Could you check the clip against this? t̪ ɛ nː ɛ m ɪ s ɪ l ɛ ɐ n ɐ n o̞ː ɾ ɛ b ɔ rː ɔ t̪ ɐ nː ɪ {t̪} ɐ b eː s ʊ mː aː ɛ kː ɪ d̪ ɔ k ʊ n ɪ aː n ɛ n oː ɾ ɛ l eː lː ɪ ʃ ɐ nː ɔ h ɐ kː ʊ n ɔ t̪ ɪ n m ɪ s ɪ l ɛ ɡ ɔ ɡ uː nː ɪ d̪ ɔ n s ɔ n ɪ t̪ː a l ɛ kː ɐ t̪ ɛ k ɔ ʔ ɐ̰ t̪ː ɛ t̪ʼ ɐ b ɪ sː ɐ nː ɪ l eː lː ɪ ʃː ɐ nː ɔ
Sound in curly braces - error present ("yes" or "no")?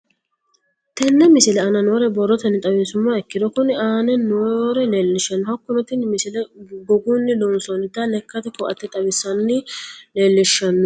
yes